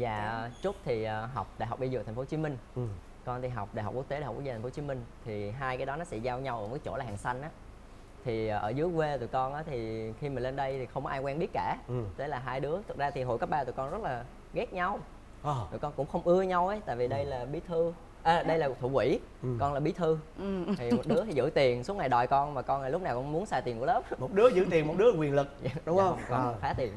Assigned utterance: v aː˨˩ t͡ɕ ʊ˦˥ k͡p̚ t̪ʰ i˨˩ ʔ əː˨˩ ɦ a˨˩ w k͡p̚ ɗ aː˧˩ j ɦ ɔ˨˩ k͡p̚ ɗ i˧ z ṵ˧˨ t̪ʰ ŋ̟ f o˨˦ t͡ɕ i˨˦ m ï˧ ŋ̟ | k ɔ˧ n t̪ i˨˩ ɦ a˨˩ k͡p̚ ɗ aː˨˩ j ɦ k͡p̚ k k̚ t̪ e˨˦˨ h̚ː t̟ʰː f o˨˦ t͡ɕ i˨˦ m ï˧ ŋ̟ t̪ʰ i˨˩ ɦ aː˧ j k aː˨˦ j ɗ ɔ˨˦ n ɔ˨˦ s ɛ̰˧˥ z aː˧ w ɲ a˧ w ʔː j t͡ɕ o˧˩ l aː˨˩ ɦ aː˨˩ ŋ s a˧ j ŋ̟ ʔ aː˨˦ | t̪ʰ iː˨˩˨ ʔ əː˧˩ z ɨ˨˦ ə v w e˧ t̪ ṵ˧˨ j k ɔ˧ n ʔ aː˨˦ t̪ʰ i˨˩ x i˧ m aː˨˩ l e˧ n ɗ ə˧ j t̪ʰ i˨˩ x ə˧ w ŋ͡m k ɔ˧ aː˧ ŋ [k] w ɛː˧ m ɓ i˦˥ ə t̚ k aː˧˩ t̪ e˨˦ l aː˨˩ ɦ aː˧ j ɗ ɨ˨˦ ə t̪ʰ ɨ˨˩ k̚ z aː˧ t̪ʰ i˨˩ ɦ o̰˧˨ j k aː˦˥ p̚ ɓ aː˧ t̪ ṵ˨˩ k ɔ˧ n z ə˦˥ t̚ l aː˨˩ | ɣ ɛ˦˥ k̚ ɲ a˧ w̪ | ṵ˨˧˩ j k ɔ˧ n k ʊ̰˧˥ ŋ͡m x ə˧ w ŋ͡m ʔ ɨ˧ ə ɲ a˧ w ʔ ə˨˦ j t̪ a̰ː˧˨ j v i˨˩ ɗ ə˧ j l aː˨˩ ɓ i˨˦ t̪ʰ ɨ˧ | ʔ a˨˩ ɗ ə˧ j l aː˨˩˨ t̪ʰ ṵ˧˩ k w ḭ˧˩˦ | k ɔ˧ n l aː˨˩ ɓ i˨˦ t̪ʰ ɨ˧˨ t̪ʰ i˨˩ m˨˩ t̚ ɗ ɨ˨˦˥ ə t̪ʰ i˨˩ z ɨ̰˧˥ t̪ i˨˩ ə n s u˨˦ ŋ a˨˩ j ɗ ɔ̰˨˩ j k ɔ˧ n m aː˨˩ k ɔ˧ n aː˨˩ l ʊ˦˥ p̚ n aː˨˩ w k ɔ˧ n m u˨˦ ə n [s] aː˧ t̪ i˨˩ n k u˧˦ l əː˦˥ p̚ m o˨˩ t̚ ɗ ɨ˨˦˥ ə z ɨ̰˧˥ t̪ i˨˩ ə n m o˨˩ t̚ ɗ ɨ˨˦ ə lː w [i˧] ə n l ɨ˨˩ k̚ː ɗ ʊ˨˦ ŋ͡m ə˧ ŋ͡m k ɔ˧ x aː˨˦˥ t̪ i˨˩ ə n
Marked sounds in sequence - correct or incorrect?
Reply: correct, correct, incorrect: i˨˩

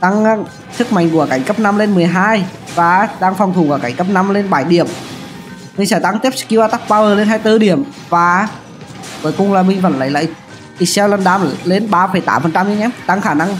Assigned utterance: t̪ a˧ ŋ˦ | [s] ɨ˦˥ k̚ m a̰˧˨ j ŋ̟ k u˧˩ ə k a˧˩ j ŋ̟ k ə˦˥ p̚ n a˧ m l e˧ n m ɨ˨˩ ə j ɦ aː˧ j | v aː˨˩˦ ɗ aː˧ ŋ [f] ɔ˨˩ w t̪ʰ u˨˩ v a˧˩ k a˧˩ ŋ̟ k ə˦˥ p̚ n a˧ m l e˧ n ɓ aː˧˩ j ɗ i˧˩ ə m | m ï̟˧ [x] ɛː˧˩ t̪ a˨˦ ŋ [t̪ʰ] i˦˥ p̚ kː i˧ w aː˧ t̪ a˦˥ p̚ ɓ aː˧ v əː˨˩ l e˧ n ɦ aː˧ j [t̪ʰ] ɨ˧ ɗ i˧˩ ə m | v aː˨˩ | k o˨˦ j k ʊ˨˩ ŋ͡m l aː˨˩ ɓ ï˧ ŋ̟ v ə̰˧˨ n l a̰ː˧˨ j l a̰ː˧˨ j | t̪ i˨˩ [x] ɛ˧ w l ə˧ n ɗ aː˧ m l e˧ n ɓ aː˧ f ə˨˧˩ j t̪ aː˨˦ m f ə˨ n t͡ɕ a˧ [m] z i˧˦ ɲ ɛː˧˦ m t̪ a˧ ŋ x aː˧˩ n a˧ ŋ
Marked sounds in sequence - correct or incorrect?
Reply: correct, correct, incorrect: s, incorrect: t̪, incorrect: t̪, incorrect: s, correct

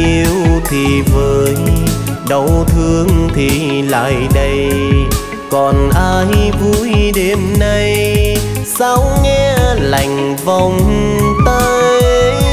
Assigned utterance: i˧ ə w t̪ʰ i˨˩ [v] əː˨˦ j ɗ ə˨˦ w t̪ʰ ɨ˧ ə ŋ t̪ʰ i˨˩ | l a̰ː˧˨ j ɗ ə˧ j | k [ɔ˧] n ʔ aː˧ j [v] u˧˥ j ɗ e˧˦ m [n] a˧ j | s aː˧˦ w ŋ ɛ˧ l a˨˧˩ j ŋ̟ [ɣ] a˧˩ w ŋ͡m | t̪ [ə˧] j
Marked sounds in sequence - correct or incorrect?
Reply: correct, incorrect: ɔ˨˩, correct, correct, incorrect: v, incorrect: a˧

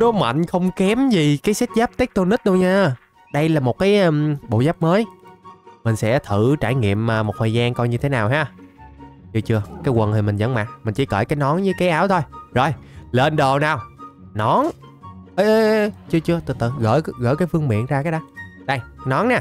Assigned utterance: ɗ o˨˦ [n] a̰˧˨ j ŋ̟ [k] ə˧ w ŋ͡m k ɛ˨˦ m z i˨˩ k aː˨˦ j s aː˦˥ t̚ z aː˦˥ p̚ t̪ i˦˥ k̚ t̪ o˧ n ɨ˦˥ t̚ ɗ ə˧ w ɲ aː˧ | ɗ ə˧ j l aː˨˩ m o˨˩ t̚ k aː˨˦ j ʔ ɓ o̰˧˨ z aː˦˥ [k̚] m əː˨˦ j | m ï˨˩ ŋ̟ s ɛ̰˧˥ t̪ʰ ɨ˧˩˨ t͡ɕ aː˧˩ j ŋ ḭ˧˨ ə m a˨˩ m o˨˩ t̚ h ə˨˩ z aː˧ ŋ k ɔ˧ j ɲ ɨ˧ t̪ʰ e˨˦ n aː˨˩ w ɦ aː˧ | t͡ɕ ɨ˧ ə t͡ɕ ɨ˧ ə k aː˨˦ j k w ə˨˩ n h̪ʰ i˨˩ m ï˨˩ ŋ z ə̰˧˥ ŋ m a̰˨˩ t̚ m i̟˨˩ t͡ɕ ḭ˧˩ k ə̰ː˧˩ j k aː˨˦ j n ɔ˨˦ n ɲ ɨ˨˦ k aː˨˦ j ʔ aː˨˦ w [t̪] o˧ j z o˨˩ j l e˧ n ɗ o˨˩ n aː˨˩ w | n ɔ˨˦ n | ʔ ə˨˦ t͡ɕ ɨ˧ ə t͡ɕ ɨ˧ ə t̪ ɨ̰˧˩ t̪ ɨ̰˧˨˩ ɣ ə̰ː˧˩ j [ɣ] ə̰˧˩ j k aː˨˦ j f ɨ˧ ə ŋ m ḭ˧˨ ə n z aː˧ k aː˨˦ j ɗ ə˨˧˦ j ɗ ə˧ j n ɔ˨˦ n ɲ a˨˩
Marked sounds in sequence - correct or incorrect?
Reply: incorrect: m, incorrect: x, incorrect: p̚, incorrect: t̪ʰ, correct

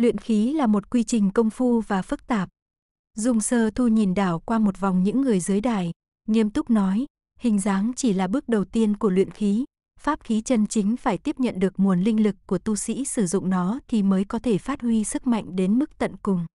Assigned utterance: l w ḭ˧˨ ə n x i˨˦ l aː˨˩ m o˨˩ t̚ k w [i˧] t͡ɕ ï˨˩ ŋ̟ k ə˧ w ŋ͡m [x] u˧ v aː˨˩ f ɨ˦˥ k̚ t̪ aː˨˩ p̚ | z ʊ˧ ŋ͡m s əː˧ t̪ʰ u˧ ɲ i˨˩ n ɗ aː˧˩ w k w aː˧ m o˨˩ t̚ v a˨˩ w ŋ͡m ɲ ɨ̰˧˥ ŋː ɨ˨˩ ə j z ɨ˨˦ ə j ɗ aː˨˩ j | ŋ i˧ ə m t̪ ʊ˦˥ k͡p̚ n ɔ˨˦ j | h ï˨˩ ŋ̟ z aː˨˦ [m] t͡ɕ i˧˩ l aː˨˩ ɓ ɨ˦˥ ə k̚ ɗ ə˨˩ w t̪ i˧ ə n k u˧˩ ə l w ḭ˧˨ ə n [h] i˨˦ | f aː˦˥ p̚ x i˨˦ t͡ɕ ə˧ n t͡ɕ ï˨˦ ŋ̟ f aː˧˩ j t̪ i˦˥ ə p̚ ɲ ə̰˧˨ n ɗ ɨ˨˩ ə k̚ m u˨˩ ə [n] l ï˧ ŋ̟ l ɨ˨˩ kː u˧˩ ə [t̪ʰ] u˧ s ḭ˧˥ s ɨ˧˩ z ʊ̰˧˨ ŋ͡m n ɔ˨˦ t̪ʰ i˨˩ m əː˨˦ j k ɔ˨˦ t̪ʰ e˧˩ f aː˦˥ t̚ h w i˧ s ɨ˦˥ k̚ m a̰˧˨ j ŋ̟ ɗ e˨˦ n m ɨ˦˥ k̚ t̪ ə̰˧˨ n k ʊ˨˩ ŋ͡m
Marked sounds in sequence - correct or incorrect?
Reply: correct, incorrect: f, incorrect: ŋ, incorrect: x, correct, incorrect: t̪

